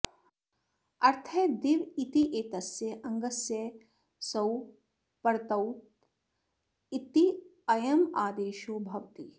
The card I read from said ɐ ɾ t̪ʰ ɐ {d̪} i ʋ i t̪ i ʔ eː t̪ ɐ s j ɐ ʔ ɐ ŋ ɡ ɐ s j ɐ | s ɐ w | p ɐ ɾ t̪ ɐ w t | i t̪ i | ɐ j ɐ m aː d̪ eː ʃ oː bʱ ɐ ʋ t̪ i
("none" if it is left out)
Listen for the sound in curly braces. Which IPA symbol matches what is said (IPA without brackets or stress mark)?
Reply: d̪